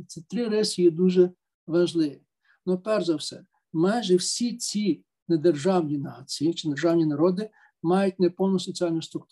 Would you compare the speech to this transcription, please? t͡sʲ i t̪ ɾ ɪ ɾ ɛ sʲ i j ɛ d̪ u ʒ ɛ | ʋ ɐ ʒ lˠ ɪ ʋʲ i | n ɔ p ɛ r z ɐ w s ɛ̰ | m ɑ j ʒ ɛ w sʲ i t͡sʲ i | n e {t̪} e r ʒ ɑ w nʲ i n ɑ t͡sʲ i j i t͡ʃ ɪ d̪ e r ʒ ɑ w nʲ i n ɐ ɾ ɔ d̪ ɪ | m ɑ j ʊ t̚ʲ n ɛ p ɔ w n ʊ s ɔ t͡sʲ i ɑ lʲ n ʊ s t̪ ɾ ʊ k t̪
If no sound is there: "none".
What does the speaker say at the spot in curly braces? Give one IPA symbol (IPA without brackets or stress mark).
d̪